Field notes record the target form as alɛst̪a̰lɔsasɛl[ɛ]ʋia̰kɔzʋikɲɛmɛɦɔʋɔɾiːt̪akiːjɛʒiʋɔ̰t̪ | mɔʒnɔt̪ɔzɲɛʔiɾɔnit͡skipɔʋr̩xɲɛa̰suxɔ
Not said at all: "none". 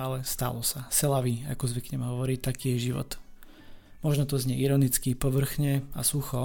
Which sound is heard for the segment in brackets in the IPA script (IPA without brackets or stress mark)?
a